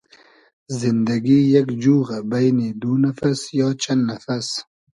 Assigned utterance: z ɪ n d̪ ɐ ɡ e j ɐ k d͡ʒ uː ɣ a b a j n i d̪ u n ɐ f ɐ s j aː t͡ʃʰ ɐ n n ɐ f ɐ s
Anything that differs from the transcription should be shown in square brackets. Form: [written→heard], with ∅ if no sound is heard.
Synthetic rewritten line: z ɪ n d̪ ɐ ɡ [e→i] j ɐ k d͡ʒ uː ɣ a b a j n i d̪ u n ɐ f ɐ s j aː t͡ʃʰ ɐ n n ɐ f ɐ s